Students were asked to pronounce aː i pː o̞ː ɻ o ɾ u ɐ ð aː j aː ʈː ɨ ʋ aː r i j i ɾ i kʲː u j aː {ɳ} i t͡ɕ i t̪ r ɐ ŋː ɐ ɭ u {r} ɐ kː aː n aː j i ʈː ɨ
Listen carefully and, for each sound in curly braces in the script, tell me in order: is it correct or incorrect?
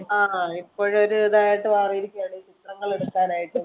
correct, incorrect

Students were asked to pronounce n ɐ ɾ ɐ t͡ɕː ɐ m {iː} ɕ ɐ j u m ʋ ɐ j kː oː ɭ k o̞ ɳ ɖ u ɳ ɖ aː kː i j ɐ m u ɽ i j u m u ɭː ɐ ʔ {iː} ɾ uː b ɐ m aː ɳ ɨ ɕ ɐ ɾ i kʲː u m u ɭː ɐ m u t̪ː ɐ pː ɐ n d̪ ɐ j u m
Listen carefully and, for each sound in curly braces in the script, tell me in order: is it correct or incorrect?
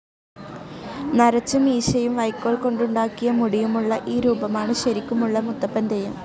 correct, correct

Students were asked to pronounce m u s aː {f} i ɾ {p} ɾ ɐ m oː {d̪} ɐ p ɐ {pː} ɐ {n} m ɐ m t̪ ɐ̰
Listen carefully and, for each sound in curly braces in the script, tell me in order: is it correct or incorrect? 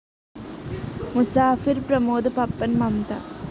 correct, correct, correct, correct, correct

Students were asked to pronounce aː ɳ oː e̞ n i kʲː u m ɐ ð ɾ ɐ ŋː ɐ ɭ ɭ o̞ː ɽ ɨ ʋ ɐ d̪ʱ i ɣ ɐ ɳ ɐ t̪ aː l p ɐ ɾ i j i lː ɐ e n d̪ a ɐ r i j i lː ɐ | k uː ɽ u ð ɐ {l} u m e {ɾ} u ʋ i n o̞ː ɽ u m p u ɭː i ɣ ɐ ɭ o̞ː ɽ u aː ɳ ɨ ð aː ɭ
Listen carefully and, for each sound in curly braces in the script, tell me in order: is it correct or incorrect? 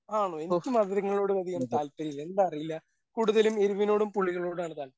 correct, correct

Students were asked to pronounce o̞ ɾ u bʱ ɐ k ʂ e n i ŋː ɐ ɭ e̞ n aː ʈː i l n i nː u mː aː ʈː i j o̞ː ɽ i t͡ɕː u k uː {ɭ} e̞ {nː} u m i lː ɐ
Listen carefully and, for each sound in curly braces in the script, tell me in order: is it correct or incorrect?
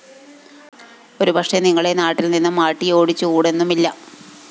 incorrect, correct

